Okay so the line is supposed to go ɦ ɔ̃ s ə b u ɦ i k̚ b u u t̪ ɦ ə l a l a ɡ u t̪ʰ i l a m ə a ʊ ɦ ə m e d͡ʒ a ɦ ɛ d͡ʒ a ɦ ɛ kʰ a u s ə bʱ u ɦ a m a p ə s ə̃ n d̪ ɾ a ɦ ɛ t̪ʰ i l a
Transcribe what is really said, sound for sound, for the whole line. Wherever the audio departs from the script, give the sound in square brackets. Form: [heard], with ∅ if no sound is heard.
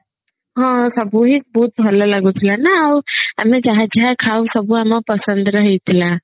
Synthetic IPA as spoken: ɦ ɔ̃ s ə b u ɦ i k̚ b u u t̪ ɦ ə l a l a ɡ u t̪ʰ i l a [n] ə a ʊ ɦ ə m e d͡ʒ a ɦ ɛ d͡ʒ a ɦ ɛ kʰ a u s ə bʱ u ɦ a m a p ə s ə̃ n d̪ ɾ [ə] ɦ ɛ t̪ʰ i l a